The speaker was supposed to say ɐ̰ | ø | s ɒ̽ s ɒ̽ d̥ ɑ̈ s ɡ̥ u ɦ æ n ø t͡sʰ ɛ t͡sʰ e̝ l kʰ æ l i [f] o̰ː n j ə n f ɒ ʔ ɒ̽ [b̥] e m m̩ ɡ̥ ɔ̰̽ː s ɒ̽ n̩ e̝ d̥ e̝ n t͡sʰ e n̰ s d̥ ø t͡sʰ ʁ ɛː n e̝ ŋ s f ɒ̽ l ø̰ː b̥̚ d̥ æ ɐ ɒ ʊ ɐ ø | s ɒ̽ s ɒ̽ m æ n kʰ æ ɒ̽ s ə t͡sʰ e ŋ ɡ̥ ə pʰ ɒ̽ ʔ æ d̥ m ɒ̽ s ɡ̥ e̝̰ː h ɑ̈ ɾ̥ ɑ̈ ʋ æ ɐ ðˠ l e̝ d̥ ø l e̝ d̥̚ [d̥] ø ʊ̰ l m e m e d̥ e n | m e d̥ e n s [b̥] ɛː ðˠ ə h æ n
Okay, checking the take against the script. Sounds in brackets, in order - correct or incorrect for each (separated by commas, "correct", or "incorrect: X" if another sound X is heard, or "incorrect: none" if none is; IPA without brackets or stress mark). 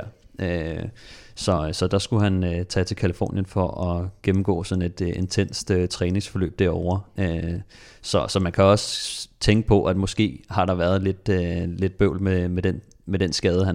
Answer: correct, incorrect: ɡ̥, incorrect: b̥, incorrect: ɡ̥